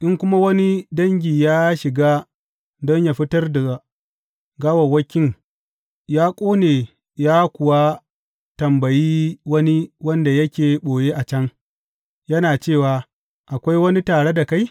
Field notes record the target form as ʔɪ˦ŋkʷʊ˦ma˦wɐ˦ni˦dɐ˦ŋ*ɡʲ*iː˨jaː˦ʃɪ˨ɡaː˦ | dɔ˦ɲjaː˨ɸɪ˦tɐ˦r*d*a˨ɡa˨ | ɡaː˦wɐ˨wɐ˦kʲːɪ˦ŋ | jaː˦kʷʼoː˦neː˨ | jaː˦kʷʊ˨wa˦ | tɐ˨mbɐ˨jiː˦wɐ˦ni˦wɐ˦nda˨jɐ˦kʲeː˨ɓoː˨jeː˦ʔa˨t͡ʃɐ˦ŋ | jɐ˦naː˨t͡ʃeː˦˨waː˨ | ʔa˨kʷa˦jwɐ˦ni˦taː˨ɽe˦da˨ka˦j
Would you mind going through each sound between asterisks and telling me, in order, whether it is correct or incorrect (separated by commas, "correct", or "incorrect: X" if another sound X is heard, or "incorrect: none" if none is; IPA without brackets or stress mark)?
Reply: correct, correct